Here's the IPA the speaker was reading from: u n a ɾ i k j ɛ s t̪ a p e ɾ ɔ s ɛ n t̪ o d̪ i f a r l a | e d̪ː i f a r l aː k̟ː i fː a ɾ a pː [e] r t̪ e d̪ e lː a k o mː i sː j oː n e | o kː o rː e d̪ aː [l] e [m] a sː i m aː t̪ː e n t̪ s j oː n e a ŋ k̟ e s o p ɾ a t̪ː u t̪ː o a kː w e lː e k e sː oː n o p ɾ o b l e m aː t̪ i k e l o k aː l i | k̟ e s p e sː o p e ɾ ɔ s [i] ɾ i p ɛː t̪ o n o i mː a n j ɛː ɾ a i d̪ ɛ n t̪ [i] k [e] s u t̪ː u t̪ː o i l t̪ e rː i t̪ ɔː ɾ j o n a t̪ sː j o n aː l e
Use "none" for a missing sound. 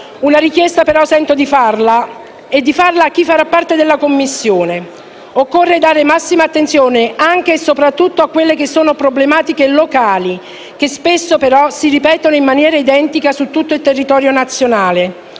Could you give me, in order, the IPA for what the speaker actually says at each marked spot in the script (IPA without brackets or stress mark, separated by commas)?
a, ɾ, m, i, i, a